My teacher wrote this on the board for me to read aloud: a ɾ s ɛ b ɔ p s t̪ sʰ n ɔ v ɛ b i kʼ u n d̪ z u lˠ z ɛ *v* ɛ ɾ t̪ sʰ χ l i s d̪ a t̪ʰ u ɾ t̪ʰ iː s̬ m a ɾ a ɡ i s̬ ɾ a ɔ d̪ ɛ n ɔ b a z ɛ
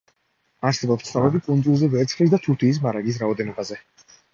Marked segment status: correct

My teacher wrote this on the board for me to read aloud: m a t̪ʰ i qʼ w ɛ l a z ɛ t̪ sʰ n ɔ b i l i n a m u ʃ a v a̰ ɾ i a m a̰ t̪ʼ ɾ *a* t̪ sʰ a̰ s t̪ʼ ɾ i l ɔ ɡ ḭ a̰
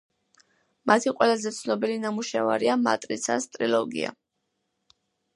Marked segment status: incorrect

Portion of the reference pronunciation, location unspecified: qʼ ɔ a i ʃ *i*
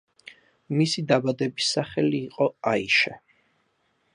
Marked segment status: incorrect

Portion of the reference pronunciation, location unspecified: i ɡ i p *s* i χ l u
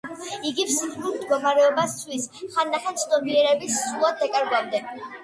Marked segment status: correct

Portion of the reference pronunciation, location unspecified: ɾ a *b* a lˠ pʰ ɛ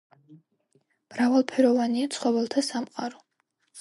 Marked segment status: incorrect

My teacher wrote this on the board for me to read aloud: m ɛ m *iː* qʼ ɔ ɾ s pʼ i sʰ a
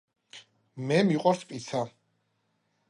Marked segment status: incorrect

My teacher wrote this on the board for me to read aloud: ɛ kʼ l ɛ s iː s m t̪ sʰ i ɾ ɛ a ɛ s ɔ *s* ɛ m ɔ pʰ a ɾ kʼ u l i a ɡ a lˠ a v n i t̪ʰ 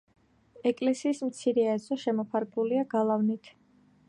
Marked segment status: incorrect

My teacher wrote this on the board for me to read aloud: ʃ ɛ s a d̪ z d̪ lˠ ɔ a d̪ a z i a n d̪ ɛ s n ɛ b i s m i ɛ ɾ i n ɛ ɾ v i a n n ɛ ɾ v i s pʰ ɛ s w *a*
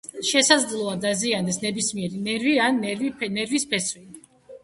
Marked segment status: incorrect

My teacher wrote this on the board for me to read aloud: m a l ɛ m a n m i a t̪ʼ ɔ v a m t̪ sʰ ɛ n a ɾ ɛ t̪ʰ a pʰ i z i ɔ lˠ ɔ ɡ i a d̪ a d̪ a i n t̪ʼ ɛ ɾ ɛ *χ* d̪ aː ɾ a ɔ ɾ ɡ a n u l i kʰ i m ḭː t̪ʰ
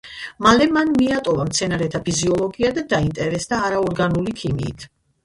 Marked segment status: incorrect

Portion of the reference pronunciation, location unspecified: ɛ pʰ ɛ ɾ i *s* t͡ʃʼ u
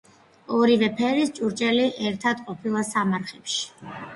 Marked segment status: correct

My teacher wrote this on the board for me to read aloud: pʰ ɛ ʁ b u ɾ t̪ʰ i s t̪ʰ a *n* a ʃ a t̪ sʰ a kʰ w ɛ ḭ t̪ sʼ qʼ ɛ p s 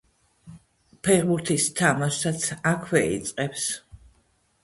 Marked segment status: incorrect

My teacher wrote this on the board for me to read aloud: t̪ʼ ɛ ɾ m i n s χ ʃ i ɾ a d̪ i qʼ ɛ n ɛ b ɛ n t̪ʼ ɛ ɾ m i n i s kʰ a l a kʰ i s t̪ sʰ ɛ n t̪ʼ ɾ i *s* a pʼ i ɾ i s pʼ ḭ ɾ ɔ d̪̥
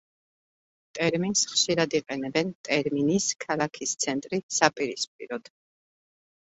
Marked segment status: correct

